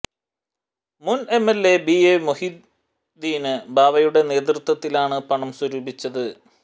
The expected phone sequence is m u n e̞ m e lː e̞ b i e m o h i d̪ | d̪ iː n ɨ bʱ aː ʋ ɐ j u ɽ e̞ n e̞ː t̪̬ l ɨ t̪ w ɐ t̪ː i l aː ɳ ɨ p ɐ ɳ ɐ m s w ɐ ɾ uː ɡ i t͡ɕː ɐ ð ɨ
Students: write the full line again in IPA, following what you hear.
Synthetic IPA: m u n e̞ m e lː e̞ b i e m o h i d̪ | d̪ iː n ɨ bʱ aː ʋ ɐ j u ɽ e̞ n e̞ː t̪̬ r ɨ t̪ w ɐ t̪ː i l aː ɳ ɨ p ɐ ɳ ɐ m s w ɐ ɾ uː b i t͡ɕː ɐ ð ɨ